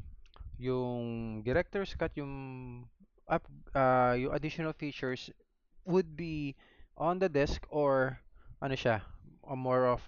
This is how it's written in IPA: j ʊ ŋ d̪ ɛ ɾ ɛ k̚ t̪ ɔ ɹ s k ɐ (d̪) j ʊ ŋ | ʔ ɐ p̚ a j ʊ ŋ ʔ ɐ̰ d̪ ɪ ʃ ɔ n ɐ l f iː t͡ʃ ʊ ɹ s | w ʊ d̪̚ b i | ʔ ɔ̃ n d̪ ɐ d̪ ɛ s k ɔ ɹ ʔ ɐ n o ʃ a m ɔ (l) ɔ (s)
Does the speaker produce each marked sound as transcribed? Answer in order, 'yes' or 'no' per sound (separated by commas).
no, no, no